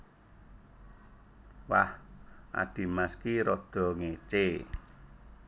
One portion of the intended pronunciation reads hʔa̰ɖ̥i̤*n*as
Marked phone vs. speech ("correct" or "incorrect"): incorrect